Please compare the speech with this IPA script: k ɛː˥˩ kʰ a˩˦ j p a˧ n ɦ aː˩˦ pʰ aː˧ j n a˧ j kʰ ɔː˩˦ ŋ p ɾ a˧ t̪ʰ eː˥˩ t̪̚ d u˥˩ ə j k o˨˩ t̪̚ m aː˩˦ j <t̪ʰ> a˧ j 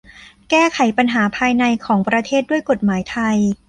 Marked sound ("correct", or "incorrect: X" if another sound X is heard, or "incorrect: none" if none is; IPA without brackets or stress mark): correct